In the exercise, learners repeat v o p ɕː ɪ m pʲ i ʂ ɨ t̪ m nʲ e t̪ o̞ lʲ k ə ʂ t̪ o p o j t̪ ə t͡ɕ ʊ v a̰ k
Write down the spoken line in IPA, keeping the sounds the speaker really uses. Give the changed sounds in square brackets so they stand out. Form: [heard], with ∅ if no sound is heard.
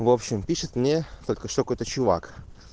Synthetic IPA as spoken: v o p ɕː ɪ m pʲ i ʂ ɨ t̪ m nʲ e t̪ o̞ lʲ k ə ʂ t̪ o [k] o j t̪ ə t͡ɕ ʊ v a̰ k